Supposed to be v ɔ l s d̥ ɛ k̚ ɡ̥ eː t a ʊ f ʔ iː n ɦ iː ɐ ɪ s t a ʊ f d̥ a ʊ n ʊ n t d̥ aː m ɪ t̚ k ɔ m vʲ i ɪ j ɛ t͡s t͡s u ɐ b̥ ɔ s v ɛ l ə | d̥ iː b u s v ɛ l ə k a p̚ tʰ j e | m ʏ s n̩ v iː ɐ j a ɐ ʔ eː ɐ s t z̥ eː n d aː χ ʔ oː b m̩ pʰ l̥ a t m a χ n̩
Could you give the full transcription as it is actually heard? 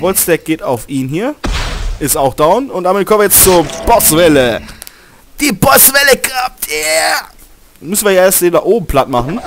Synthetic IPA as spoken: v ɔ l s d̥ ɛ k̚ ɡ̥ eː t a ʊ f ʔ iː n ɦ iː ɐ ɪ s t a ʊ x d̥ a ʊ n ʊ n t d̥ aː m ɪ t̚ k ɔ m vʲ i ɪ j ɛ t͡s t͡s u ɐ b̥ ɔ s v ɛ l ə | d̥ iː b ɔ s v ɛ l ə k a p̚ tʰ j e | m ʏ s n̩ v iː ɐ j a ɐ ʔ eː ɐ s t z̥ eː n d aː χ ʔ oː b m̩ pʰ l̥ a t m a χ n̩